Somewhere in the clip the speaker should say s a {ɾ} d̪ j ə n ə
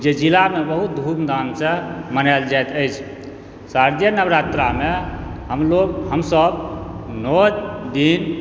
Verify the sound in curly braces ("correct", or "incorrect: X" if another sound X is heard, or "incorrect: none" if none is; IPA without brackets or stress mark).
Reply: correct